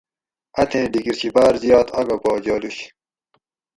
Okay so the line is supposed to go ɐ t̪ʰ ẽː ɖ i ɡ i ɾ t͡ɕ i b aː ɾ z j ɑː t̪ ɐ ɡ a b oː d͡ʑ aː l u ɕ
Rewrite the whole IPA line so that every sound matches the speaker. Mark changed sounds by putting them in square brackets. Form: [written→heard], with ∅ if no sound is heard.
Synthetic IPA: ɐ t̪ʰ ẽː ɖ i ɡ i ɾ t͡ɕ i b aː ɾ z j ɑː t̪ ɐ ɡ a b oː d͡ʑ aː l u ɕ